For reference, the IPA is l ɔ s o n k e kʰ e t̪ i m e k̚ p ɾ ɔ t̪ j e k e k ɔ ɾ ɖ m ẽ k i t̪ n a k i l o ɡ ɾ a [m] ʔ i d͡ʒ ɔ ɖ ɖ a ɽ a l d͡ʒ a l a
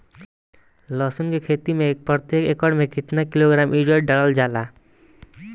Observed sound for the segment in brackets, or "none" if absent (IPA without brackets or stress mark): m